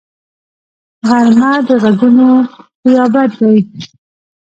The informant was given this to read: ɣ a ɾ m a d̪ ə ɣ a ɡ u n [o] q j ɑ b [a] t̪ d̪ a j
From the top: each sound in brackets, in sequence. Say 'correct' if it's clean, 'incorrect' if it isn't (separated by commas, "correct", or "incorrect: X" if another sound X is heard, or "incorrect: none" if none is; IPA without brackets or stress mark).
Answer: correct, correct